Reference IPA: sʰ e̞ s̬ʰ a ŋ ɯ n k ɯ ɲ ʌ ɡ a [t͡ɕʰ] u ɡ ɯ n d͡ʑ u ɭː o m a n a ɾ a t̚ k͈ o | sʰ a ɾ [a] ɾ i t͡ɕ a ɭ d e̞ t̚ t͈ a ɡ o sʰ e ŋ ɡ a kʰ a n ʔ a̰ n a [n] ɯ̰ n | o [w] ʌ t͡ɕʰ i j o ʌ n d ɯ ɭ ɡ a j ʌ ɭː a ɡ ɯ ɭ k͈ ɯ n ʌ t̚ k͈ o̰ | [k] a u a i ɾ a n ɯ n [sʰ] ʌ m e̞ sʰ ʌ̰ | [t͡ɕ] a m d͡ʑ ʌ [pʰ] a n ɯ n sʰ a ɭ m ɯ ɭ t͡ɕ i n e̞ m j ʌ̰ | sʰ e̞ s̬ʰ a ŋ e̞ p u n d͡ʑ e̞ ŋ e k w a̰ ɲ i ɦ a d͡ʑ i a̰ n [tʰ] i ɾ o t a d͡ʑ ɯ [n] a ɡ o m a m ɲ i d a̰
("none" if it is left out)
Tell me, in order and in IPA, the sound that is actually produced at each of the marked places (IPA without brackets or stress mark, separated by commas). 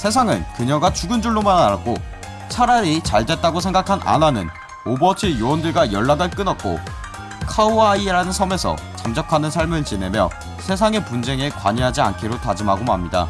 t͡ɕ, a, n, b, kʰ, sʰ, t͡ɕ, kʰ, kʰ, m